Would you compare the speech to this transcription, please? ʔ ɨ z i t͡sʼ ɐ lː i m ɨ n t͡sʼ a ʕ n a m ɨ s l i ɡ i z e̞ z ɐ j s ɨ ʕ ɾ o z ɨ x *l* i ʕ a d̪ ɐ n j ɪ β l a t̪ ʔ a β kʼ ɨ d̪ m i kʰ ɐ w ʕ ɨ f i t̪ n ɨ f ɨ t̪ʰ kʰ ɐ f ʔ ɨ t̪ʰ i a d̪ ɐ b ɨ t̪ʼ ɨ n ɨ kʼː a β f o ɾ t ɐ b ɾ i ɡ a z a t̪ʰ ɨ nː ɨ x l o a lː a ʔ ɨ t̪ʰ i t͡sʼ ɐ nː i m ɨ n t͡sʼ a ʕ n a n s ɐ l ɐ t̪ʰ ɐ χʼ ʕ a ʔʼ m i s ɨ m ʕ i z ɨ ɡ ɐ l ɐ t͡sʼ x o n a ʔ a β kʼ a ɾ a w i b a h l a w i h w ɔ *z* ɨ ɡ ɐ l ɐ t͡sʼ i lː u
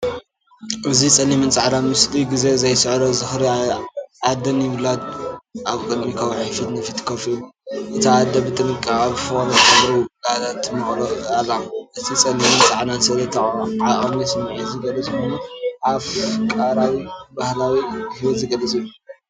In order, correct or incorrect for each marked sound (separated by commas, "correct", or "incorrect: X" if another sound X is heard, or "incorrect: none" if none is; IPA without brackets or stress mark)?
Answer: incorrect: ɾ, correct